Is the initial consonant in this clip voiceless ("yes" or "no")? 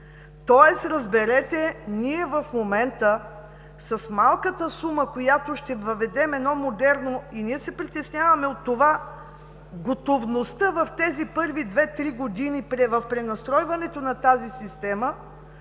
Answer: yes